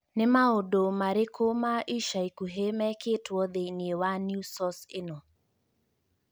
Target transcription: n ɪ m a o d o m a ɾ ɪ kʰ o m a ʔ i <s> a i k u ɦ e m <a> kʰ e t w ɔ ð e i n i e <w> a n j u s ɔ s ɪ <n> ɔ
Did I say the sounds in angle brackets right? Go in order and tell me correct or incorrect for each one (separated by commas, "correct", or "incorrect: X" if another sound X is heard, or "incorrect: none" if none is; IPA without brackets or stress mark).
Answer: incorrect: ʃ, incorrect: ɛ, correct, correct